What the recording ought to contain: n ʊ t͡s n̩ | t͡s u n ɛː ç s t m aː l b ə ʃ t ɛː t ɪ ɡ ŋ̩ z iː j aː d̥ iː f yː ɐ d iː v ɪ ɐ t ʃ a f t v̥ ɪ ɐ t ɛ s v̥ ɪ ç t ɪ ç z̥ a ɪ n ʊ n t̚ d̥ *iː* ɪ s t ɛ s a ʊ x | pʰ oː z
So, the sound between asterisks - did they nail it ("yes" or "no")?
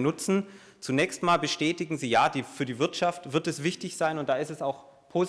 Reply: no